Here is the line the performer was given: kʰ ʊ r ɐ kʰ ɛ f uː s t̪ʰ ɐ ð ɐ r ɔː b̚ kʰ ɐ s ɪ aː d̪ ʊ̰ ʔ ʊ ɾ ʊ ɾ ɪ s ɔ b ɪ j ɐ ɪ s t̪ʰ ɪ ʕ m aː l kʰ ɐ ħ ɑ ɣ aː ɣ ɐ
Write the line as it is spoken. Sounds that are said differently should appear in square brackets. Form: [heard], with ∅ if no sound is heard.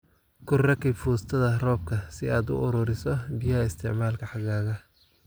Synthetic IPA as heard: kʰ ʊ r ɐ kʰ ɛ f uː s t̪ʰ ɐ ð ɐ r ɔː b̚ kʰ ɐ s ɪ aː d̪ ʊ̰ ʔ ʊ ɾ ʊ ɾ ɪ s ɔ b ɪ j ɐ ɪ s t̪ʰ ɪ ʕ m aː l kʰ ɐ ħ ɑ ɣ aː ɣ ɐ